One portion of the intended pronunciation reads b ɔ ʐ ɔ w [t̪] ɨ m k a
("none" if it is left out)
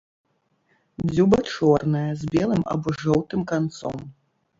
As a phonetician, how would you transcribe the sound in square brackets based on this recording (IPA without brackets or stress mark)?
t̪